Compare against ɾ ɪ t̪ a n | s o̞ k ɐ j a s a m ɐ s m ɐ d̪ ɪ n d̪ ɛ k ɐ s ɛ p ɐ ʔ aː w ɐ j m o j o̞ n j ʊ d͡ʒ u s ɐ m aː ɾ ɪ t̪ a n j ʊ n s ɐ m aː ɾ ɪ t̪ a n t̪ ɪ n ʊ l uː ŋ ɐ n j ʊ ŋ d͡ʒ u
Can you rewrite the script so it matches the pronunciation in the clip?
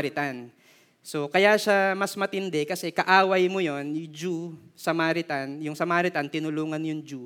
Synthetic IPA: ɾ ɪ t̪ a n | s o̞ k ɐ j a ʃ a m ɐ s m ɐ t̪ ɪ n d̪ ɛ k ɐ s ɛ k ɐ ʔ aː w ɐ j m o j o̞ n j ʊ d͡ʒ u s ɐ m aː ɾ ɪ t̪ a n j ʊ ŋ s ɐ m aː ɾ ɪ t̪ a n t̪ ɪ n ʊ l uː ŋ ɐ n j ʊ ŋ d͡ʒ u